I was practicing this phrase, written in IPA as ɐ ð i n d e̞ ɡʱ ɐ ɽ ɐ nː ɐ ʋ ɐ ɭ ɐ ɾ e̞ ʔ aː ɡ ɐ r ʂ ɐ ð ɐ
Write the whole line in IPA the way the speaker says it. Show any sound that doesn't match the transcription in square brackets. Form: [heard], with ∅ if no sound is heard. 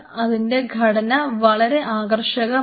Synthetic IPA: ɐ ð i n d e̞ ɡʱ ɐ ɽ ɐ [n] ɐ ʋ ɐ ɭ ɐ ɾ e̞ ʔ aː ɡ ɐ r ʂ ɐ [ɣ] ɐ